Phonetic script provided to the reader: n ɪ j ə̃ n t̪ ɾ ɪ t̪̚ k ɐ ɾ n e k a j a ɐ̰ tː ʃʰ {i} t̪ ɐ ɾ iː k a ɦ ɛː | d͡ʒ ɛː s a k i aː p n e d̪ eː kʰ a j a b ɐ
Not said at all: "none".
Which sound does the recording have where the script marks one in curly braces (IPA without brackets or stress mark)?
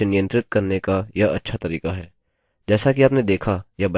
a